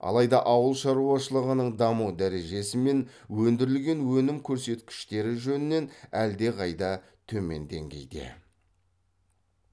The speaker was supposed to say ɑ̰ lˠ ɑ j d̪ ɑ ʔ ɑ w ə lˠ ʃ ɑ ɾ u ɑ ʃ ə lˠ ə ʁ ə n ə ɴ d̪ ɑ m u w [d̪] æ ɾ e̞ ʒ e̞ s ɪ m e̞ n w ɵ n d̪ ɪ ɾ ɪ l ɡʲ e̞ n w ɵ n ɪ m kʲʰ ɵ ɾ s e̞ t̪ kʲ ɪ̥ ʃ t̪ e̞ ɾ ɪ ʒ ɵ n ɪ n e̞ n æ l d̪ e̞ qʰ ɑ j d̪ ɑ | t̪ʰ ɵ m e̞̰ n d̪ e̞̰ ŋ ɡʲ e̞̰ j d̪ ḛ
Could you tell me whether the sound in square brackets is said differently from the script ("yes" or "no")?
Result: no